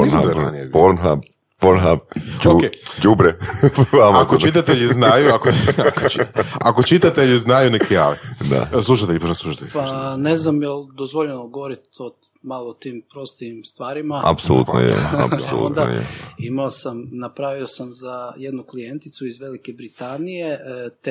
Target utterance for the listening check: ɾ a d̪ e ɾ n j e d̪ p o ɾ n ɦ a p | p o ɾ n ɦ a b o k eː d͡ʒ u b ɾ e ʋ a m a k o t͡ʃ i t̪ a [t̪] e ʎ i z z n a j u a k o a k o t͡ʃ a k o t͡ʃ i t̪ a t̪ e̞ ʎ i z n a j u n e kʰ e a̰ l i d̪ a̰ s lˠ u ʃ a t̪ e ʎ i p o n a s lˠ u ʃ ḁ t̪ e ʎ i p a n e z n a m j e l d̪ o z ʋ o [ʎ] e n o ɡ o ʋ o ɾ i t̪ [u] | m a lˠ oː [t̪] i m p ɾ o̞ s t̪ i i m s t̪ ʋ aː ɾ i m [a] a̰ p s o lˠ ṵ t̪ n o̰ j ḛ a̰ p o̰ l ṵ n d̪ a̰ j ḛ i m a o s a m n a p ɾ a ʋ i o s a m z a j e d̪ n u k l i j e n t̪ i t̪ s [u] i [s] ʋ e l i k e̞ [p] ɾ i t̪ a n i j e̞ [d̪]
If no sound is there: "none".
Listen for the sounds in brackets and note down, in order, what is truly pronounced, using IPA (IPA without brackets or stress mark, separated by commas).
t̪, ʎ, o, t̪, a, u, z, b, t̪